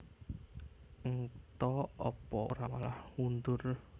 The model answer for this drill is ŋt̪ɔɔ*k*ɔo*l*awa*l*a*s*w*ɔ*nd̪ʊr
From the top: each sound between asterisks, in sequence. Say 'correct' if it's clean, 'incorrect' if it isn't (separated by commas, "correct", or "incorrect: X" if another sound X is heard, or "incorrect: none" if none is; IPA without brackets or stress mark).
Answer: incorrect: p, incorrect: ɾ, correct, incorrect: h, incorrect: u